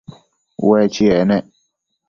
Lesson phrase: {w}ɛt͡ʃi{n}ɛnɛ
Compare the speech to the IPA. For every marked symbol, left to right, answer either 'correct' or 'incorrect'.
correct, incorrect: none

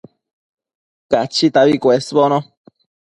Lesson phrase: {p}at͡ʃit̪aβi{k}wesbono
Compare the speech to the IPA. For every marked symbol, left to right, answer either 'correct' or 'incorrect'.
incorrect: k, correct

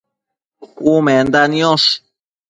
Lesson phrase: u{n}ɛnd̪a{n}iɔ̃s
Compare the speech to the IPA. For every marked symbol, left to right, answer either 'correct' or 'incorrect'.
incorrect: m, correct

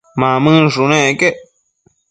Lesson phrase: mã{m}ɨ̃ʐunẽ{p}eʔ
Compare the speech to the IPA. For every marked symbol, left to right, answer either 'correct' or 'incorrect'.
correct, incorrect: k

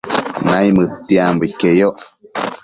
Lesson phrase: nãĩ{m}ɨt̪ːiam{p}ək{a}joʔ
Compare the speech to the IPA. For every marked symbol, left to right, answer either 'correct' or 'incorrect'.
correct, incorrect: b, incorrect: e

